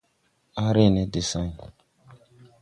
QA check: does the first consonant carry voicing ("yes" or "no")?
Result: yes